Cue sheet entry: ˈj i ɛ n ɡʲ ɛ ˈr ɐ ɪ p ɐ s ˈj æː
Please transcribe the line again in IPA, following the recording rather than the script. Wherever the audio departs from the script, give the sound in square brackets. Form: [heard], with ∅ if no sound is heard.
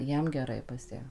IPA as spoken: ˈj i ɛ [m] ɡʲ ɛ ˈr ɐ ɪ p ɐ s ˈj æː